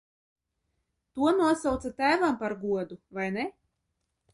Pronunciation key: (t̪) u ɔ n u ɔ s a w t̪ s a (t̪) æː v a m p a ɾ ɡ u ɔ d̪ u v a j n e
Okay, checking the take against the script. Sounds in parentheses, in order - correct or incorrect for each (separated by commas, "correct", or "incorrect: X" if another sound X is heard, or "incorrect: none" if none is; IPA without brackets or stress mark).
correct, correct